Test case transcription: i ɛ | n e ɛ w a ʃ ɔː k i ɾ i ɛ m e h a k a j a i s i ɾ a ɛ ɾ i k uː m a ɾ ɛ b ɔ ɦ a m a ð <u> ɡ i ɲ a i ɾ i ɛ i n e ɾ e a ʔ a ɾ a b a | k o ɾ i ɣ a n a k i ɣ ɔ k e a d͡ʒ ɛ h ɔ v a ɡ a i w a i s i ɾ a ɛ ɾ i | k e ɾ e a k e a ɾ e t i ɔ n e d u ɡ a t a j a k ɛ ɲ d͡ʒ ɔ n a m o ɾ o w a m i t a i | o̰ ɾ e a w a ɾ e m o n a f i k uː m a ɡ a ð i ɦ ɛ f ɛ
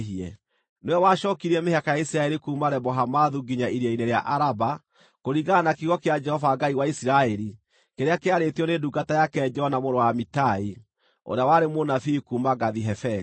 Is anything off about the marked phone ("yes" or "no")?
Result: no